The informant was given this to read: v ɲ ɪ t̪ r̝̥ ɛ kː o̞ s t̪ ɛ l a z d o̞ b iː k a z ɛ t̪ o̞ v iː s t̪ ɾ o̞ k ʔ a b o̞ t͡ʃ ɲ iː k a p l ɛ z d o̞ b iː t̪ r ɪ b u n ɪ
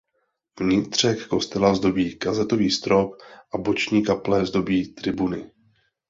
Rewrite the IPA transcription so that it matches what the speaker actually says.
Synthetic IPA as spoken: v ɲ ɪ t̪ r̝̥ ɛ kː o̞ s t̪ ɛ l a z d o̞ b iː k a z ɛ t̪ o̞ v iː s t̪ ɾ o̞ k ʔ a b o̞ t͡ʃ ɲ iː k a p l ɛ z d o̞ b iː t̪ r ɪ b u n ɪ